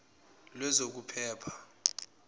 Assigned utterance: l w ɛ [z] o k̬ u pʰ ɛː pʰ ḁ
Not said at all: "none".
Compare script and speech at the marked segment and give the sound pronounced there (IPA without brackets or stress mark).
z